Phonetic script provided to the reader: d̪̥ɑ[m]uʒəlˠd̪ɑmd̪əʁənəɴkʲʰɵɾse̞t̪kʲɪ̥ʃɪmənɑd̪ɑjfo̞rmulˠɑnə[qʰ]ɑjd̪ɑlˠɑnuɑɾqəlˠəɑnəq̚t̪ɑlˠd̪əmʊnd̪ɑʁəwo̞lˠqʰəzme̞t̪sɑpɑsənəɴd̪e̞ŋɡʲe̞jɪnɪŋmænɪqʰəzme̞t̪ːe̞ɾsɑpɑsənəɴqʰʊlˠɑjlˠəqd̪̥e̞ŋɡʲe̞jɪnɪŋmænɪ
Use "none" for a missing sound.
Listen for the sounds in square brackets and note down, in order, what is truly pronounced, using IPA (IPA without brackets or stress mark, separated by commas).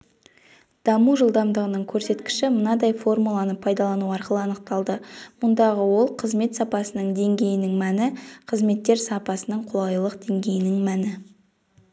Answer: m, pʰ